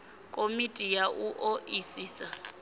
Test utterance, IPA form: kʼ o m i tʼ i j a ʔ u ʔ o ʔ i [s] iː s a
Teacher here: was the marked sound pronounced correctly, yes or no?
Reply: yes